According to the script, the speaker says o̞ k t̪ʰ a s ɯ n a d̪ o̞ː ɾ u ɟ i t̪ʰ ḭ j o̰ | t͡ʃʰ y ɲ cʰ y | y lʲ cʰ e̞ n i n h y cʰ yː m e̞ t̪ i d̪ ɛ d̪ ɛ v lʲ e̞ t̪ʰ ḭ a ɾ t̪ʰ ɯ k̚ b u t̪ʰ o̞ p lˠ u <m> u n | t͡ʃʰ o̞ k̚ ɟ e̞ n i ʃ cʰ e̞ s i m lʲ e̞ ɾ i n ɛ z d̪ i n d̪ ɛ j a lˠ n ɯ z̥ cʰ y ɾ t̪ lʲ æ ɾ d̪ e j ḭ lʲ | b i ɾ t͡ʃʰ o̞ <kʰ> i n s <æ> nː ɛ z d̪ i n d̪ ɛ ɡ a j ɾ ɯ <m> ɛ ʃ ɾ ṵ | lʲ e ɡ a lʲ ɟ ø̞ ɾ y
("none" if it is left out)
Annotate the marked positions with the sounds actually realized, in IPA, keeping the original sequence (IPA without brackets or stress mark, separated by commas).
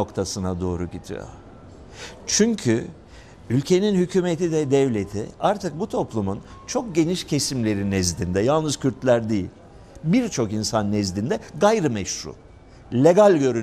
m, k, a, m